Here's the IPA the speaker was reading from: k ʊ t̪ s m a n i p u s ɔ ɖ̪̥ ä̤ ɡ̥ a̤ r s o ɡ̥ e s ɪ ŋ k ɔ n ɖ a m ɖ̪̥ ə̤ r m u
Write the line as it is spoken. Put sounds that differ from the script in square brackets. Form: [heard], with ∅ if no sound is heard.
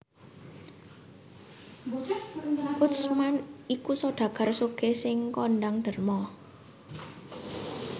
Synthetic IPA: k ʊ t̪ s m a n i [k] u s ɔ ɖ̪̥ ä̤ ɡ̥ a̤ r s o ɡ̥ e s ɪ ŋ k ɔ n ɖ a [ŋ] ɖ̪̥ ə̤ r m [ɔ]